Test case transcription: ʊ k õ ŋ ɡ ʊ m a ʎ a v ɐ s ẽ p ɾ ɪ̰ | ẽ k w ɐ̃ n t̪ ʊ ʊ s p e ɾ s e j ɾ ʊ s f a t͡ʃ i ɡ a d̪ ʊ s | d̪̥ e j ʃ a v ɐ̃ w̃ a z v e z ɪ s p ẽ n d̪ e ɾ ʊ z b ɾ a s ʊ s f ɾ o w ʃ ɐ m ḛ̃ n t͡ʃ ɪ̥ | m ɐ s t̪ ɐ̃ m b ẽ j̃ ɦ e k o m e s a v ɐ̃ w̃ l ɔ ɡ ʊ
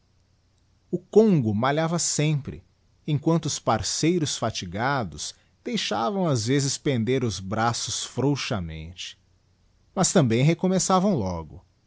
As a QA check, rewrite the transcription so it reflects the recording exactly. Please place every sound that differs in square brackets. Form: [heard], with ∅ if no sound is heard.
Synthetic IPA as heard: ʊ k õ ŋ ɡ ʊ m a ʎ a v ɐ s ẽ p ɾ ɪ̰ | ẽ k w ɐ̃ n t̪ ʊ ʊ s p [a] ɾ s e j ɾ ʊ s f a t͡ʃ i ɡ a d̪ ʊ s | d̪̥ e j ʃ a v ɐ̃ w̃ a z v e z ɪ s p ẽ n d̪ e ɾ ʊ z b ɾ a s ʊ s f ɾ o w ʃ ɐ m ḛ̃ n t͡ʃ ɪ̥ | m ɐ s t̪ ɐ̃ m b ẽ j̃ ɦ e k o m e s a v ɐ̃ w̃ l ɔ ɡ ʊ